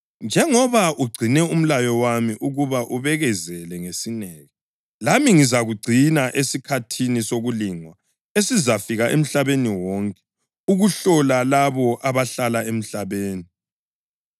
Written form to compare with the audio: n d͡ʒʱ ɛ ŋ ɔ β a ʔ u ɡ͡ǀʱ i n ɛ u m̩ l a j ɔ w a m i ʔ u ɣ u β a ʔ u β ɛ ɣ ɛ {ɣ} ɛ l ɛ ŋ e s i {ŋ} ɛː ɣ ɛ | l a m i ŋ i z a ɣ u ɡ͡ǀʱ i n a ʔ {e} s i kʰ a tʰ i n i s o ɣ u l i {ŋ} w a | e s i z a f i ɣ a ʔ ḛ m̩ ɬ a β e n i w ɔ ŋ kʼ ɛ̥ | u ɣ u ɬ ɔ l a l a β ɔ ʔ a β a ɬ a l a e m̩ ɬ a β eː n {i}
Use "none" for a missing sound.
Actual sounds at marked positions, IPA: z, n, e, ŋ, i

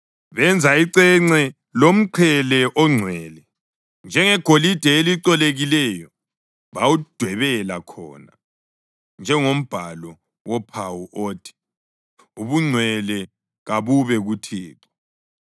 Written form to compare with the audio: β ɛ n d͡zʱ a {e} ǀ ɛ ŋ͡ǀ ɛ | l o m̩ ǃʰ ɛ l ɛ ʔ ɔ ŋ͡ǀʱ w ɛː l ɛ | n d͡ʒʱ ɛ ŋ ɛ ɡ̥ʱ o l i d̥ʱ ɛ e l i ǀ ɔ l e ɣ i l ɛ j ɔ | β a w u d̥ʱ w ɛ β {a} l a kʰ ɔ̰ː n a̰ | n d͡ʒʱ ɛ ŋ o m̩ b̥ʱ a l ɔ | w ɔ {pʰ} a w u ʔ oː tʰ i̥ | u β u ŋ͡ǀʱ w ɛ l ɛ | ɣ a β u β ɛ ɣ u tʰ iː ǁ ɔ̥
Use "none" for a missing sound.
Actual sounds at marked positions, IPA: i, ɛ, pʰ

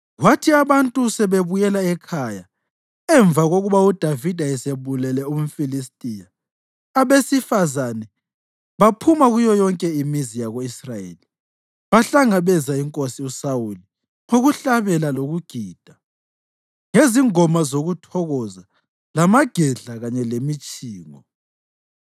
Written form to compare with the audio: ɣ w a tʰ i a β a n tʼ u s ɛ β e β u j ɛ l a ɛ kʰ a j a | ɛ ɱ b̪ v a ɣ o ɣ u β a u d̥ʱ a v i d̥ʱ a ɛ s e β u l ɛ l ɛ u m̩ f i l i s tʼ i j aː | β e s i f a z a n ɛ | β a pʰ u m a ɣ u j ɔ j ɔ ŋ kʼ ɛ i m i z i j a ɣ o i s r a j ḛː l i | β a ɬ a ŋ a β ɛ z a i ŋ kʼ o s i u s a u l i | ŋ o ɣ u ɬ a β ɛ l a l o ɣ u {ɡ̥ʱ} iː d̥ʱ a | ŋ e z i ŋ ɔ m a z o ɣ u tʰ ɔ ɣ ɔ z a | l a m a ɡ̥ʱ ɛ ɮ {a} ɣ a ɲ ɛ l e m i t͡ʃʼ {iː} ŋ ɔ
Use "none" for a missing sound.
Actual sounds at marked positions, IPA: ɡ̥ʱ, a, iː

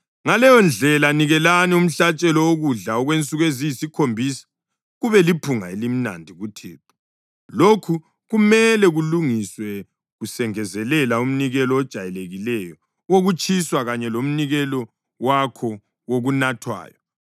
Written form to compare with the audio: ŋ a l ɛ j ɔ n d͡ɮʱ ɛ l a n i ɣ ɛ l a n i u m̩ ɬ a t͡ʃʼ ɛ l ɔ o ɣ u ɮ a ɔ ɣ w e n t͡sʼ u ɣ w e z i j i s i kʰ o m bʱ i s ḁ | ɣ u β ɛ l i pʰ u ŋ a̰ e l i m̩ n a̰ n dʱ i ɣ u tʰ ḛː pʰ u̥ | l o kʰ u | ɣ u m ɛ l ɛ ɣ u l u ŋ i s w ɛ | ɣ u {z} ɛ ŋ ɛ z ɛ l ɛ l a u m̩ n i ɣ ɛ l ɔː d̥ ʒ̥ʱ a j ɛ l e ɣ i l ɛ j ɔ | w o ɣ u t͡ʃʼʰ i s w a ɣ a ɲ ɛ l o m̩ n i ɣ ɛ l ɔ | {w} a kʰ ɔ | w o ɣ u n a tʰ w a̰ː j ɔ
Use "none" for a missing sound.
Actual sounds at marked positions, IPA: s, w

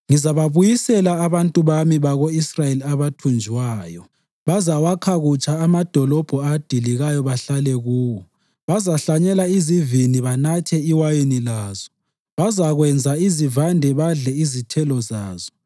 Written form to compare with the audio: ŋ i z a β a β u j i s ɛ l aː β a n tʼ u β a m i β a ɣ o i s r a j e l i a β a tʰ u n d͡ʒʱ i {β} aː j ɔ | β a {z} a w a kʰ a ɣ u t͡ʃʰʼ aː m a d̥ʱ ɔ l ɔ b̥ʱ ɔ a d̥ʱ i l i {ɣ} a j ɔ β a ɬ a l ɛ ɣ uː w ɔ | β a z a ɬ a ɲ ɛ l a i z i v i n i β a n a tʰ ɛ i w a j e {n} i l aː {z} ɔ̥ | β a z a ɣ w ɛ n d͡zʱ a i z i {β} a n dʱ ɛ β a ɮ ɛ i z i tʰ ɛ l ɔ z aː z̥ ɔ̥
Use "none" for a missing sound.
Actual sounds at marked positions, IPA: w, z, ɣ, n, z, v

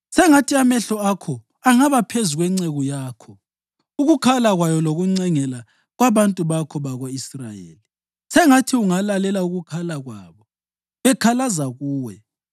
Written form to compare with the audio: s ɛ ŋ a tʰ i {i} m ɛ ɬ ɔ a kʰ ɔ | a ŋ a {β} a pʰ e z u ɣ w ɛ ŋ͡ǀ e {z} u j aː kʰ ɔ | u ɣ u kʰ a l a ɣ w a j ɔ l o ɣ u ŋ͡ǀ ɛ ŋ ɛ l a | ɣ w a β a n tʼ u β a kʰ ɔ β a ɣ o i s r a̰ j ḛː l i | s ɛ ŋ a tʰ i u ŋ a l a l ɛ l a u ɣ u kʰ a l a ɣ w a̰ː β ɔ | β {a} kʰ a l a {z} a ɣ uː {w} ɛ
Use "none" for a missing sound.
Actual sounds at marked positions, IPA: a, β, ɣ, ɛ, z, w

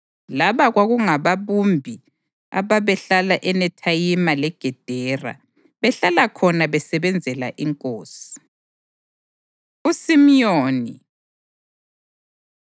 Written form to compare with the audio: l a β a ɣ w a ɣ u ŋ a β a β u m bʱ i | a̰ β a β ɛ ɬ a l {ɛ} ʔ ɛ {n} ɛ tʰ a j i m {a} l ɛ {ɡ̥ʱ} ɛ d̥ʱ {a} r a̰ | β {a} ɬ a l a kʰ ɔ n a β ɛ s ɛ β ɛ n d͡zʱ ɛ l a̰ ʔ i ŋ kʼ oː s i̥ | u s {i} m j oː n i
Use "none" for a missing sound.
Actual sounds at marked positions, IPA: a, n, a, ɡ̥ʱ, ɛ, ɛ, i

